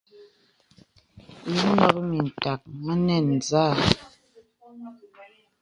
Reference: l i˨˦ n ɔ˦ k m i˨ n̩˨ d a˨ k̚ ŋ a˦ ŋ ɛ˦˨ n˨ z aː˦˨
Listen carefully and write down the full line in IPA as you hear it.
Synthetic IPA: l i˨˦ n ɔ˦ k m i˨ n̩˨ t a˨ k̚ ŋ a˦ n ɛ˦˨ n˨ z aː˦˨